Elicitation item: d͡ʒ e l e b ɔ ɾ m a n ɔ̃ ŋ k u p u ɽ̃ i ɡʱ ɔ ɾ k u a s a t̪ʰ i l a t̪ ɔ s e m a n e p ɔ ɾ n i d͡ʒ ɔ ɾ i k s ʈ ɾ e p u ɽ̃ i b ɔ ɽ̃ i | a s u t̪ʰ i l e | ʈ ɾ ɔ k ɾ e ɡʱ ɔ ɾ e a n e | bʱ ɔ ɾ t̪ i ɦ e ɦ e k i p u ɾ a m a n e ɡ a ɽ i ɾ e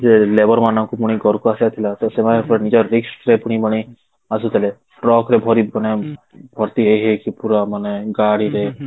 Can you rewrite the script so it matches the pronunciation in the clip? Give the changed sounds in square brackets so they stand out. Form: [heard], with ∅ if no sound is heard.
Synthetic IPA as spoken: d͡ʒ e l e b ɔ ɾ m a n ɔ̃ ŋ k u p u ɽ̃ i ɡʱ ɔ ɾ k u a s a t̪ʰ i l a t̪ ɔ s e m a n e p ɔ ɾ n i d͡ʒ ɔ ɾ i k s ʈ ɾ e p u ɽ̃ i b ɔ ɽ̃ i | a s u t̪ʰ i l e | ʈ ɾ ɔ k ɾ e [bʱ] ɔ ɾ [i] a n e | bʱ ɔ ɾ t̪ i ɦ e ɦ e k i p u ɾ a m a n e ɡ a ɽ i ɾ e